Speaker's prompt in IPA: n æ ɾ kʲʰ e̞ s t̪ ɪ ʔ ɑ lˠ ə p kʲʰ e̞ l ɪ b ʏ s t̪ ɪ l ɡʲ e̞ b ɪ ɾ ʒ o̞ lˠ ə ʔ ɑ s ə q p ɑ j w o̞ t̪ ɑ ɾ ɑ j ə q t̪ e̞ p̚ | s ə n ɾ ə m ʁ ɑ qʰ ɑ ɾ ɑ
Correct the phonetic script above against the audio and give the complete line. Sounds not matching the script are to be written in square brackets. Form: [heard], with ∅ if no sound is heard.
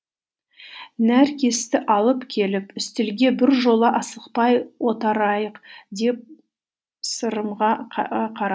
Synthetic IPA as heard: n æ ɾ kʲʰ e̞ s t̪ ɪ ʔ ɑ lˠ ə p kʲʰ e̞ l ɪ [p] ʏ s t̪ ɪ l ɡʲ e̞ b ɪ ɾ ʒ o̞ lˠ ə ʔ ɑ s ə q p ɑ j w o̞ t̪ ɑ ɾ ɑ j ə q [d̪] e̞ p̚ | s ə [∅] ɾ ə m ʁ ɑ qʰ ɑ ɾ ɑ